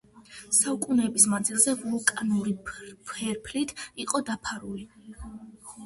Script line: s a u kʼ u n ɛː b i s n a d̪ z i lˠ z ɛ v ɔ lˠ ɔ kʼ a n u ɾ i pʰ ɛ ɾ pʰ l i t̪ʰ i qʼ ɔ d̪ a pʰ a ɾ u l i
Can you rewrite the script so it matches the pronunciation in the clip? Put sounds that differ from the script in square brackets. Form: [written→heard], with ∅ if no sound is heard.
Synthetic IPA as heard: s a u kʼ u n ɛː b i s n a d̪ z i lˠ z ɛ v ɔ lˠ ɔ kʼ a n u ɾ i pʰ ɛ ɾ pʰ l i t̪ʰ i qʼ ɔ d̪ a pʰ a ɾ u l i